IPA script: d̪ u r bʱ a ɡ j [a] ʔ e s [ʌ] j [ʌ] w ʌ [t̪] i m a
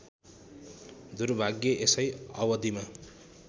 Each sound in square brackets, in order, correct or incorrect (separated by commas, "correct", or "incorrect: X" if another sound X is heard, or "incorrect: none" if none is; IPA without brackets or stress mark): incorrect: ʌ, correct, correct, incorrect: d̪